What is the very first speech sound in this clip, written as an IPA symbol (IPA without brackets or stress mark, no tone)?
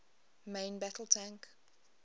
m